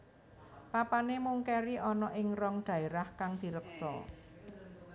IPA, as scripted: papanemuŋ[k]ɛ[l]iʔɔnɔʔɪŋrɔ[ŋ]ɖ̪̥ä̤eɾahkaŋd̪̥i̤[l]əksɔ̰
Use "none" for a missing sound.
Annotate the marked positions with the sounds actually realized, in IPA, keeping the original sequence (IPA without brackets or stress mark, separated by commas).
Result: k, ɾ, ŋ, ɾ